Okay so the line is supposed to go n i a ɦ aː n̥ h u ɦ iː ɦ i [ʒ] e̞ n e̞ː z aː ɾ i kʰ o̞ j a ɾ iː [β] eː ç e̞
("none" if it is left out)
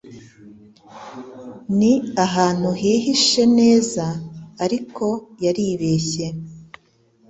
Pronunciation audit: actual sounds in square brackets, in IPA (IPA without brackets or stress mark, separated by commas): ʃ, β